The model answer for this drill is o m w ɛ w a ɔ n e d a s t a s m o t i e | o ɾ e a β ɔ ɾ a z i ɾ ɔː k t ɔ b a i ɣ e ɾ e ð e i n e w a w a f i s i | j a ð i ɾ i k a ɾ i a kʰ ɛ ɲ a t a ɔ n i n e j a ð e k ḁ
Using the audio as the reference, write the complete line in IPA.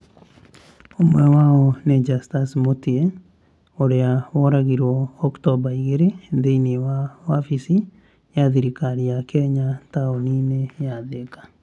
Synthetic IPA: o m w ɛ w a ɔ n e d͡ʒ a s t a s m o t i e | o ɾ e a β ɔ ɾ a ɣ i ɾ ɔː k t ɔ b a i ɣ e ɾ e ð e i n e w a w a f i s i | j a ð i ɾ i k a ɾ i a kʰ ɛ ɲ a t a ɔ n i n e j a ð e k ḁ

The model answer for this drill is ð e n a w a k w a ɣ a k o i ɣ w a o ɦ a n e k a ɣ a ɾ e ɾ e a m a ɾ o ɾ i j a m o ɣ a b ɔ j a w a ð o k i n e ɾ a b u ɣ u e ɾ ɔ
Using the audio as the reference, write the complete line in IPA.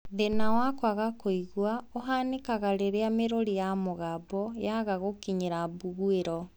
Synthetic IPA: ð e n a w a k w a ɣ a k o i ɣ w a o ɦ a n e k a ɣ a ɾ e ɾ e a m e ɾ o ɾ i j a m o ɣ a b ɔ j a ɣ a ɣ o k i ɲ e ɾ a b u ɣ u e ɾ ɔ

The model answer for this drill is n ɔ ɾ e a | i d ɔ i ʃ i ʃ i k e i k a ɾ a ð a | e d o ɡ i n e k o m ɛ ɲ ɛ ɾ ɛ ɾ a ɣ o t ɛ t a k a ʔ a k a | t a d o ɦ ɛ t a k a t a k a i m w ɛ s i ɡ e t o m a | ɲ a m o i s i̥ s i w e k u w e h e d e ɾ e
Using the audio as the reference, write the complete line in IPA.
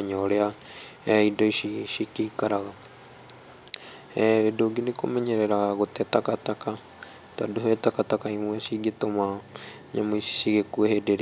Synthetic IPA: ɲ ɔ ɾ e a | i d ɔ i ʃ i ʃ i k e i k a ɾ a ɣ a | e d o ɡ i n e k o m ɛ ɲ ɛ ɾ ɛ ɾ a ɣ o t ɛ t a k a t a k a | t a d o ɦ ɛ t a k a t a k a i m w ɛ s i ɡ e t o m a | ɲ a m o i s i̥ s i ɣ e k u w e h e d e ɾ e

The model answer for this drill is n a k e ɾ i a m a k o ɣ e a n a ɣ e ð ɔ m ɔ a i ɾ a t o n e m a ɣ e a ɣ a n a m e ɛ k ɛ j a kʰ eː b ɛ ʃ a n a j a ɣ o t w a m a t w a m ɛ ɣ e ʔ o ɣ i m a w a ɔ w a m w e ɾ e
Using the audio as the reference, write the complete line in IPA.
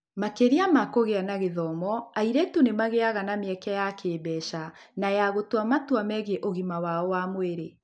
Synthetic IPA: m a k e ɾ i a m a k o ɣ e a n a ɣ e ð ɔ m ɔ a i ɾ ɛ t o n e m a ɣ e a ɣ a n a m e ɛ k ɛ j a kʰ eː b ɛ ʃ a n a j a ɣ o t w a m a t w a m ɛ ɣ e ʔ o ɣ i m a w a ɔ w a m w e ɾ e

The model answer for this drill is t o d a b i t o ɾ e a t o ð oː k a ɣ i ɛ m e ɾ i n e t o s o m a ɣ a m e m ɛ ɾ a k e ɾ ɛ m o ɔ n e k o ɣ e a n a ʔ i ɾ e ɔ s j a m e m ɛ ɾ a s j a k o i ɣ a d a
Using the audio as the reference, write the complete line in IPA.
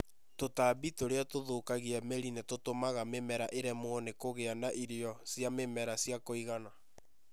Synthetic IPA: t o t a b i t o ɾ e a t o ð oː k a ɣ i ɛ m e ɾ i n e t o t o m a ɣ a m e m ɛ ɾ a ʔ e ɾ ɛ m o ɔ n e k o ɣ e a n a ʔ i ɾ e ɔ s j a m e m ɛ ɾ a s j a k o i ɣ a n a

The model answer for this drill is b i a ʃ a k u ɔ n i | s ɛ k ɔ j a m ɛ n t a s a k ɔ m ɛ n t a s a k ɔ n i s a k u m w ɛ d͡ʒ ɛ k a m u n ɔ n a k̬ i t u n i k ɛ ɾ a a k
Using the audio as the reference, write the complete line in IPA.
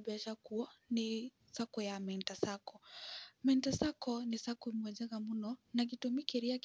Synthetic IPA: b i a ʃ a k u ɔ n i | s a k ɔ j a m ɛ n t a s a k ɔ m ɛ n t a s a k ɔ n i s a k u m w ɛ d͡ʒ ɛ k a m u n ɔ n a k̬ i t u m i k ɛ ɾ i a k

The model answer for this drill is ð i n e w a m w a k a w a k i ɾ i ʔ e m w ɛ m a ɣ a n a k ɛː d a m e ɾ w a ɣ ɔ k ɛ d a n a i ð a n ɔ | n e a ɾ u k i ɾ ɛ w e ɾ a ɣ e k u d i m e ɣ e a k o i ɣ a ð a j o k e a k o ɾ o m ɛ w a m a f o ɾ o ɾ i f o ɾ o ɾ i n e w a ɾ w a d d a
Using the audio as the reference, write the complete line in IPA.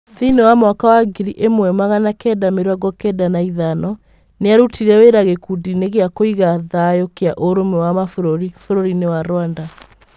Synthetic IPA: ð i n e w a m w a k a w a ɡ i ɾ i ʔ e m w ɛ m a ɣ a n a k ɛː d a m e ɾ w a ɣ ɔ k ɛ d a n a i ð a n ɔ | n e a ɾ u t i ɾ ɛ w e ɾ a ɣ e k u d i n e ɣ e a k o i ɣ a ð a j o k e a ʔ o ɾ o m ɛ w a m a f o ɾ o ɾ i f o ɾ o ɾ i n e w a ɾ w a n d a

